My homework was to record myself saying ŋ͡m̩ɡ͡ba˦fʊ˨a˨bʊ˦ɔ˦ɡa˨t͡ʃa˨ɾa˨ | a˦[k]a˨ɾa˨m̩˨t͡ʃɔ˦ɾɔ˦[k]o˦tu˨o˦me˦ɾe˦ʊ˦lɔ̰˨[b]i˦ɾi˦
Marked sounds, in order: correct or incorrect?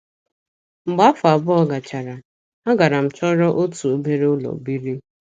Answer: incorrect: ɡ, incorrect: ʔ, correct

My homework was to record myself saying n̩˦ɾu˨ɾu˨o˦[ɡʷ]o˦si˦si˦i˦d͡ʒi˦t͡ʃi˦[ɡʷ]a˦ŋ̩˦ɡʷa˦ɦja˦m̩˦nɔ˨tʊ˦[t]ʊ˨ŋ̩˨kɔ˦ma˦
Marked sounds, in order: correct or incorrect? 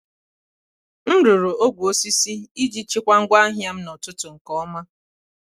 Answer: correct, incorrect: kʷ, correct

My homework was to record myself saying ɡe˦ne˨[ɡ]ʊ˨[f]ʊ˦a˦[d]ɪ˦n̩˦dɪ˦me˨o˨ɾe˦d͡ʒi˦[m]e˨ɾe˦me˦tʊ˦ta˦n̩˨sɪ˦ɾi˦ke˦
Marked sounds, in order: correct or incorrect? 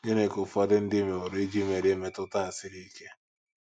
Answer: incorrect: k, correct, correct, correct

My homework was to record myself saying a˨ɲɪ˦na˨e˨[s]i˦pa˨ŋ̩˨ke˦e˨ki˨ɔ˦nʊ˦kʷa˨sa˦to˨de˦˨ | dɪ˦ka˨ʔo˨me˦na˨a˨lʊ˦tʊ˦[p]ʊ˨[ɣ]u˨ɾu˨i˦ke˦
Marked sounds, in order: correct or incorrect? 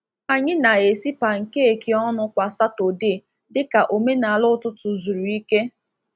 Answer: correct, incorrect: t, incorrect: z

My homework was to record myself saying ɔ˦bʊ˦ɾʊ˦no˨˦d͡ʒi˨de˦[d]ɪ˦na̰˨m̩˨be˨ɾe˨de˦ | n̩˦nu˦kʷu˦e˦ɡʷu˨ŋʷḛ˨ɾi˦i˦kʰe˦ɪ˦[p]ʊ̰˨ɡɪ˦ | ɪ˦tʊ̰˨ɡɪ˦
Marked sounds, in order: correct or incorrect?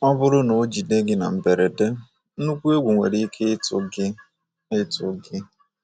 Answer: incorrect: ɡ, incorrect: t

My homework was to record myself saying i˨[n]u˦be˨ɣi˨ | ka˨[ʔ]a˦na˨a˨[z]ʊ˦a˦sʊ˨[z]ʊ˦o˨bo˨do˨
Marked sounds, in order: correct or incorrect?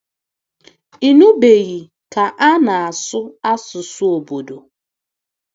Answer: correct, correct, incorrect: s, incorrect: s

